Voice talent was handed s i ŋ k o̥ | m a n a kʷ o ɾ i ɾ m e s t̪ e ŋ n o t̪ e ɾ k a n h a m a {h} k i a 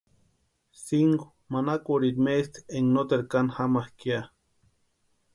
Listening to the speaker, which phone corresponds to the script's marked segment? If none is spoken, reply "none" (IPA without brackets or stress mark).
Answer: h